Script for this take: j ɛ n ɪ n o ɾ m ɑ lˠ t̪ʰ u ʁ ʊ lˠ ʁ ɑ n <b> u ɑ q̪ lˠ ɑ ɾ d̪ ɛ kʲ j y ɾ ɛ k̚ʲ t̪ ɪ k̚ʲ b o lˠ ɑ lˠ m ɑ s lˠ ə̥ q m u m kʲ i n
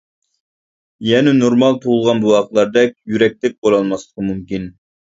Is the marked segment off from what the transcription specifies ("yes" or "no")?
no